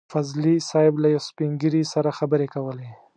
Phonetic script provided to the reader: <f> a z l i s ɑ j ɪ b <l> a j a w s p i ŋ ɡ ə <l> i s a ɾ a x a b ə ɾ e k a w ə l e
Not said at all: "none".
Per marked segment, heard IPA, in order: f, l, ɾ

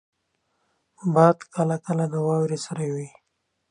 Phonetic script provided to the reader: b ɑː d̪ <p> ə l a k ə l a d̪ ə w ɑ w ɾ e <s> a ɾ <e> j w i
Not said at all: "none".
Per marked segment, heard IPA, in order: k, s, a

